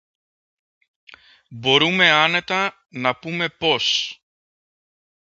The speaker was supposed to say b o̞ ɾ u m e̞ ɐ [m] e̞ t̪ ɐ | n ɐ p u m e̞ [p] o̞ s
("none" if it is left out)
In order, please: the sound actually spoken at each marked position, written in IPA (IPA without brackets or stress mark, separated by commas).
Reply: n, p